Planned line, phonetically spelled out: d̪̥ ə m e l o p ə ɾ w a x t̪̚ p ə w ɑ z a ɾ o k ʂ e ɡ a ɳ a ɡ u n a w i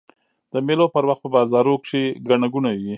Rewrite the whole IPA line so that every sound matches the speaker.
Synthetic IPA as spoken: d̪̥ ə m e l o p ə ɾ w a x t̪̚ p ə b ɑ z ɑ ɾ o k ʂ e ɡ a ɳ a ɡ u n a w i

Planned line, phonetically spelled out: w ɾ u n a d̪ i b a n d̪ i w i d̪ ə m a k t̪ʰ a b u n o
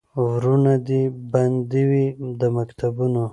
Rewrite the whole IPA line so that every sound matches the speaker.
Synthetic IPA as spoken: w ɾ u n a d̪ i b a n d̪ i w i d̪ ə m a k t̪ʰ a b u n o

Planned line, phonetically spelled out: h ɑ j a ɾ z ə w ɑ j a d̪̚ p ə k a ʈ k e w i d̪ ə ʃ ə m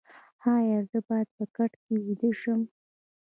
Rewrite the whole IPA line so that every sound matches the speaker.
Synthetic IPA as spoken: h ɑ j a ɾ z ə b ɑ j a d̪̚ p ə k a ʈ k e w i d̪ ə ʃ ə m

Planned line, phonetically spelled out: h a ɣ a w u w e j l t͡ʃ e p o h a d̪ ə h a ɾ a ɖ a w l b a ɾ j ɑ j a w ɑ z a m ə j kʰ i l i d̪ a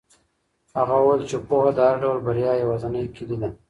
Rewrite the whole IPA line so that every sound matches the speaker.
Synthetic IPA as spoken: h a ɣ a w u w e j l t͡ʃ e p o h a d̪ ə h a ɾ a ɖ a w l b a ɾ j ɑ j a w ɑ z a n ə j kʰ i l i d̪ a

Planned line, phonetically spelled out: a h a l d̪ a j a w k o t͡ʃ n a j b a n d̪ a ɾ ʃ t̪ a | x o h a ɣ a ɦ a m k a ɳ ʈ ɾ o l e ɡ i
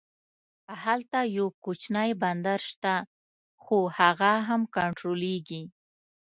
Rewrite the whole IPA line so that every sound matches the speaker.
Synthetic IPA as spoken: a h a l t̪ a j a w k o t͡ʃ n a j b a n d̪ a ɾ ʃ t̪ a | x o h a ɣ a ɦ a m k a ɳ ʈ ɾ o l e ɡ i

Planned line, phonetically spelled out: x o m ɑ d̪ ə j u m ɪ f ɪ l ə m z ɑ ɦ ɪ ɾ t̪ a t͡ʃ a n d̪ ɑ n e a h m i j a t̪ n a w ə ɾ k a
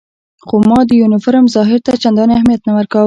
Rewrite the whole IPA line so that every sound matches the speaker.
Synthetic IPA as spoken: x o m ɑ d̪ ə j u n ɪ f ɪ ɾ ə m z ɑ ɦ ɪ ɾ t̪ a t͡ʃ a n d̪ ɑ n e a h m i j a t̪ n a w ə ɾ k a

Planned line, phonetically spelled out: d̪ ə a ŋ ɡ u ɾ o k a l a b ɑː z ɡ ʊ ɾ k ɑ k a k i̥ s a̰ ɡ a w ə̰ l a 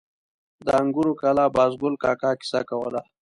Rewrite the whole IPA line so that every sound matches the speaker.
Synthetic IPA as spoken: d̪ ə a ŋ ɡ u ɾ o k a l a b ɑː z ɡ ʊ l k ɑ k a k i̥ s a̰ k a w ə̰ l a

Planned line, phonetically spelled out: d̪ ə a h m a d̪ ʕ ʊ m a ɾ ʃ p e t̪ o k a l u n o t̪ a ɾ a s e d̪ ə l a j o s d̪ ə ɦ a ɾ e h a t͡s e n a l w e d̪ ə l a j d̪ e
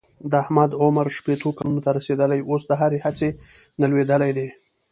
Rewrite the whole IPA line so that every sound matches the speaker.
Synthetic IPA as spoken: d̪ ə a h m a d̪ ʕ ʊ m a ɾ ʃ p e t̪ o k a l u n o t̪ a ɾ a s e d̪ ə l a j o s d̪ ə ɦ a ɾ e h a t͡s e n a l w e d̪ ə l a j d̪ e

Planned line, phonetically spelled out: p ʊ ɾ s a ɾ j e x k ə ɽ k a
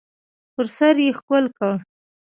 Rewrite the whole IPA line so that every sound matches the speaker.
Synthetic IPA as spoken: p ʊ ɾ s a ɾ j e x k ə l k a

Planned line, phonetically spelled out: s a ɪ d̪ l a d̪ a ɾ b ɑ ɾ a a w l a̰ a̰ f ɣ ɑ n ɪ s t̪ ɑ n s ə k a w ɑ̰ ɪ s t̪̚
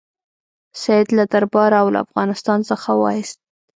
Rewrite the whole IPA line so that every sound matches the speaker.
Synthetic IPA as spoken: s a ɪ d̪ l a d̪ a ɾ b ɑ ɾ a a w l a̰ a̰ f ɣ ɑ n ɪ s t̪ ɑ n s ə x a w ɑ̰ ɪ s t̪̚

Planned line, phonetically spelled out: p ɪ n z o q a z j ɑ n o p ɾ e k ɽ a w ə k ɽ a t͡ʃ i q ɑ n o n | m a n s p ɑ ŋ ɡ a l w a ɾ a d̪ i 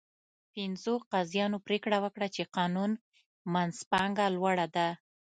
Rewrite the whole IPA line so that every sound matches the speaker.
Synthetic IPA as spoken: p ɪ n z o q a z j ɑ n o p ɾ e k ɽ a w ə k ɽ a t͡ʃ e q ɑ n u n | m a n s p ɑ ŋ ɡ a l w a ɽ a d̪ a

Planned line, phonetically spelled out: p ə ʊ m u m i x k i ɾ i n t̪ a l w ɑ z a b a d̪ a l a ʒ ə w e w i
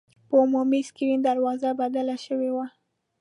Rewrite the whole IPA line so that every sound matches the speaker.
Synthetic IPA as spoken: p ə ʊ m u m i s k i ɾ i n d̪ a ɾ w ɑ z a b a d̪ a l a ʃ ə w e w a

